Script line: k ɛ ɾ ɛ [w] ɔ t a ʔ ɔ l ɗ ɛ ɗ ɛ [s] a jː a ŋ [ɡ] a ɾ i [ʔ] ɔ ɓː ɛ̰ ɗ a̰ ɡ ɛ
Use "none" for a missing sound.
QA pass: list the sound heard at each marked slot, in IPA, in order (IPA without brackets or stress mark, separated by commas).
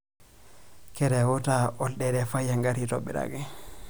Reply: w, f, ɡ, t